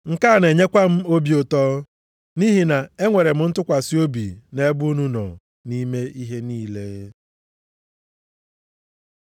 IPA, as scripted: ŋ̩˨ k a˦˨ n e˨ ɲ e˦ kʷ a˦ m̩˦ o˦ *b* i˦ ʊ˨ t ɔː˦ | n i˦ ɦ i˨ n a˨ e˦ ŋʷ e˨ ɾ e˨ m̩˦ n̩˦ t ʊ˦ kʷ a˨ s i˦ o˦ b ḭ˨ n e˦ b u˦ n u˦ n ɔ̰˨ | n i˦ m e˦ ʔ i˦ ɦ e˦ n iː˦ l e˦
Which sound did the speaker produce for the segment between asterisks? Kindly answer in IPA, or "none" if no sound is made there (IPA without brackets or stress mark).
b